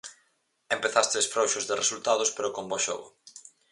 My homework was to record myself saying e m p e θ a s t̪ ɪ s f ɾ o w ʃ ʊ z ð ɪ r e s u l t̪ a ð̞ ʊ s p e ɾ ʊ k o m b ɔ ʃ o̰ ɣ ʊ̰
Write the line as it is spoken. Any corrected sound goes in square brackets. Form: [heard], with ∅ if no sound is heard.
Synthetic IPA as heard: e m p e θ a s t̪ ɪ s f ɾ o w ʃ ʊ z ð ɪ r e s u l t̪ a ð̞ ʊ s p e ɾ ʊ k o m b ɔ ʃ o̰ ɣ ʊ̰

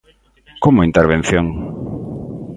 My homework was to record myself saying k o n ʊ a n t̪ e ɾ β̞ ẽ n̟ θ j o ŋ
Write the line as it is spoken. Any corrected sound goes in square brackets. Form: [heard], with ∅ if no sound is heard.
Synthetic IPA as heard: k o [m] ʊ [i] n t̪ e ɾ β̞ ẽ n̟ θ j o ŋ

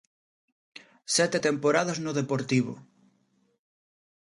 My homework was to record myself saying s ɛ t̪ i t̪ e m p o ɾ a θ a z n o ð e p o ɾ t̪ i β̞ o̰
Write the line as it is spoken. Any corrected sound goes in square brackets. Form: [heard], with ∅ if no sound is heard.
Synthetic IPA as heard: s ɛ t̪ [e] t̪ e m p o ɾ a [ð] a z n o ð e p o ɾ t̪ i β̞ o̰

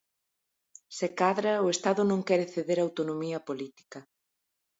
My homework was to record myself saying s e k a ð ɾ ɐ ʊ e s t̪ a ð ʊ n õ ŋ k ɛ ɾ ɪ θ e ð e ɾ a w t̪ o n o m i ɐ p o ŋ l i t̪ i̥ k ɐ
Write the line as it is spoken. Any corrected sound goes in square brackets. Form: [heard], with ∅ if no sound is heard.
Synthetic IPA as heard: s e k a ð ɾ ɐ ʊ e s t̪ a ð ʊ n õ ŋ k ɛ ɾ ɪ θ e ð e ɾ a w t̪ o n o m i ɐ p o [∅] l i t̪ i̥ k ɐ

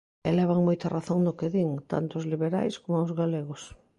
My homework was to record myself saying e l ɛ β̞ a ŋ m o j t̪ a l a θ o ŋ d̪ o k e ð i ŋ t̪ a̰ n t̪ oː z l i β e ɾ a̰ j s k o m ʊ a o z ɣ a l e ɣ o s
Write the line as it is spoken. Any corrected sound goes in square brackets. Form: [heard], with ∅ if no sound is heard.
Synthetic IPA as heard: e l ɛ β̞ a ŋ m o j t̪ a [r] a θ o ŋ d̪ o k e ð i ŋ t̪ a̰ n t̪ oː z l i β e ɾ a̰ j s k o m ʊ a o z ɣ a l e ɣ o s

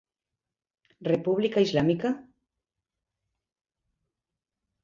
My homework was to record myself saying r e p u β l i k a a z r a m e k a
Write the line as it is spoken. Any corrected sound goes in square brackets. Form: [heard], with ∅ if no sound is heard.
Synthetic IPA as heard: r e p u β l i k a [i] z [l] a m [i] k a

